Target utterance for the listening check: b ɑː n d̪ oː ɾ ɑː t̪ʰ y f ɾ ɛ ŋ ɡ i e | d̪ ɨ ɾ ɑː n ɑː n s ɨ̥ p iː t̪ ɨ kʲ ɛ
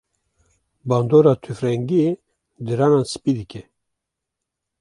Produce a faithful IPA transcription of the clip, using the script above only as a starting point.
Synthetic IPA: b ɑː n d̪ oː ɾ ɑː t̪ʰ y f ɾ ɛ ŋ ɡ i e | d̪ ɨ ɾ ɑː n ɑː n s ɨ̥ p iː d̪ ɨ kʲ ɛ